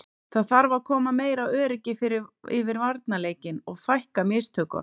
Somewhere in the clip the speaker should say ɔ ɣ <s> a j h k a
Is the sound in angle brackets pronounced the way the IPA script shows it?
no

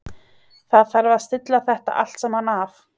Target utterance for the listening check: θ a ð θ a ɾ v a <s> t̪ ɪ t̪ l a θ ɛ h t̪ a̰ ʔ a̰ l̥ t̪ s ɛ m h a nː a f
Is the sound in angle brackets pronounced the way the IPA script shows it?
yes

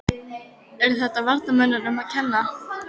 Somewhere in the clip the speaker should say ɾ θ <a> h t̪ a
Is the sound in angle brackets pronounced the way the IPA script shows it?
no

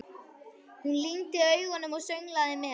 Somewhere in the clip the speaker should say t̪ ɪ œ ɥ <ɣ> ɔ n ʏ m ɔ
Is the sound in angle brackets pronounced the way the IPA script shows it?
yes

